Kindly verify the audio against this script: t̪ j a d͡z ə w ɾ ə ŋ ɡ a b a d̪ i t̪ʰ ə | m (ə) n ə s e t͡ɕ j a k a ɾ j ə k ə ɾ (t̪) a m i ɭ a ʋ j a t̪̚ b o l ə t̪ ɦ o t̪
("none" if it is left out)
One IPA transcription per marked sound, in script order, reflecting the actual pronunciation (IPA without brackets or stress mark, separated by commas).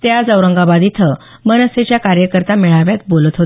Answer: ə, t̪